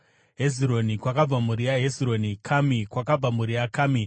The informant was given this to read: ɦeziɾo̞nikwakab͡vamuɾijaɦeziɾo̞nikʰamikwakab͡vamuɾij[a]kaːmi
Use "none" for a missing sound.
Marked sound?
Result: a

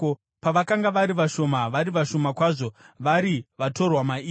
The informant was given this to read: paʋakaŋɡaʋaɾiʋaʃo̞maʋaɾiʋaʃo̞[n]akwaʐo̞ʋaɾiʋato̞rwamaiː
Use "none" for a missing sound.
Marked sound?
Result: m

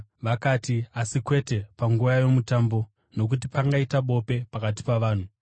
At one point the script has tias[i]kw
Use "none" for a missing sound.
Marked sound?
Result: i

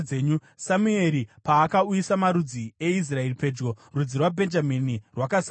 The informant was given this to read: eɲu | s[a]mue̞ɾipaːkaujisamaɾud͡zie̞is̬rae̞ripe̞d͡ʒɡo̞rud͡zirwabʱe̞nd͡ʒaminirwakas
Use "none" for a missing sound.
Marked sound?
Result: a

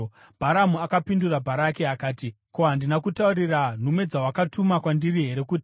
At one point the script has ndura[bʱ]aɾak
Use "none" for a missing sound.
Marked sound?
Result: bʱ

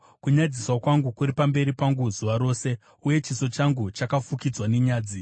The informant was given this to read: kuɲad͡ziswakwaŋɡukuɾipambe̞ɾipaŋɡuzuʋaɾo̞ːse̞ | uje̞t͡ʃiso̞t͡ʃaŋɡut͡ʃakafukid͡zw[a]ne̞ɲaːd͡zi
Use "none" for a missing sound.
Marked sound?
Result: a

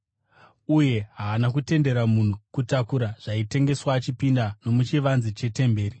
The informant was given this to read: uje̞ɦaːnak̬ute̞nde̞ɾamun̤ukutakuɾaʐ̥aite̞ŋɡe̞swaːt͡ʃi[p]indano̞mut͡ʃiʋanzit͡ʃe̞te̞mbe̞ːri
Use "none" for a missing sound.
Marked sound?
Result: p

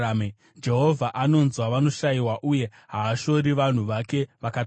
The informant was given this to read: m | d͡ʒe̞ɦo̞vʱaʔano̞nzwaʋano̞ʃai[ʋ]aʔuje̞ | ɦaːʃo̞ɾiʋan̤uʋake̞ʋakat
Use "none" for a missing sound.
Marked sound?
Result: w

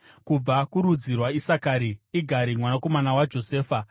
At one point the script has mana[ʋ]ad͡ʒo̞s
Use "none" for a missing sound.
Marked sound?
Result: w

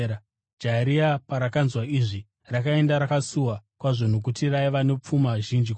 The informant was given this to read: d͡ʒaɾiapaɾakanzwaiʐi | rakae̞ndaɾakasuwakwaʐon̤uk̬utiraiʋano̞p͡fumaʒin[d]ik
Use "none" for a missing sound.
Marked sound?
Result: d͡ʒ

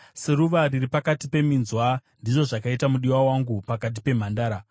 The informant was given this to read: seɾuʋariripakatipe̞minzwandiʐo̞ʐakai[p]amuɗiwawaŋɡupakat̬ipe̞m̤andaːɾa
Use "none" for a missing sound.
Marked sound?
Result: t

